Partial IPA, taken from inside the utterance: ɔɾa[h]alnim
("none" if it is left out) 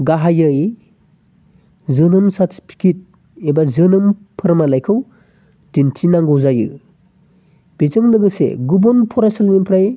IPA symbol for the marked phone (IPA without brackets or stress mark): s